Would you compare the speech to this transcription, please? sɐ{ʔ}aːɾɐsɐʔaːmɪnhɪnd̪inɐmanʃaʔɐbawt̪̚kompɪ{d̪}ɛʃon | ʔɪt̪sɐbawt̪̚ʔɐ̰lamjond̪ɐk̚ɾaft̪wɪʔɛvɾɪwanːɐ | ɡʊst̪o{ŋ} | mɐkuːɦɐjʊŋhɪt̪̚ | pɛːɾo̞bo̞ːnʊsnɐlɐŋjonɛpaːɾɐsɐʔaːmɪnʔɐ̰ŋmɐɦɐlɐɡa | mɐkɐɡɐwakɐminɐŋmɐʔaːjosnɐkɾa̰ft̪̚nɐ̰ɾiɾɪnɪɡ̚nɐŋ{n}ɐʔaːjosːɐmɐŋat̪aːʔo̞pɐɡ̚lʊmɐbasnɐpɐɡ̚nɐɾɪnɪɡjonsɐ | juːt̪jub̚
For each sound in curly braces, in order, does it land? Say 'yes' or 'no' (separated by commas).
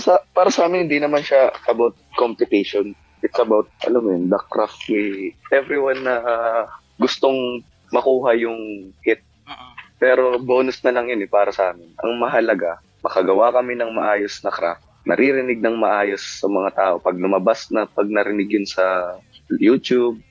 no, no, yes, no